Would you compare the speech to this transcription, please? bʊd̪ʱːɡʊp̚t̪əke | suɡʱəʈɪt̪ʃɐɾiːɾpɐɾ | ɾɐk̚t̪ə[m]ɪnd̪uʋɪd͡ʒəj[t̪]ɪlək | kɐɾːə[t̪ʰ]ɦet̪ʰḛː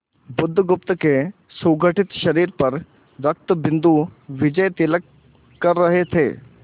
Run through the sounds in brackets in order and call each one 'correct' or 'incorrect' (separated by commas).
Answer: incorrect, correct, incorrect